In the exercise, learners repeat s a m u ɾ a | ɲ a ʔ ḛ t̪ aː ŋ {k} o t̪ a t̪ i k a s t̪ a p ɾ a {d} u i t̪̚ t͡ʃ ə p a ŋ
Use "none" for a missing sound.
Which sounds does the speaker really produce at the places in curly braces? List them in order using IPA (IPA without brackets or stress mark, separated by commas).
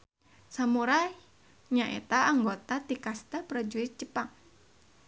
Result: ɡ, d͡ʒ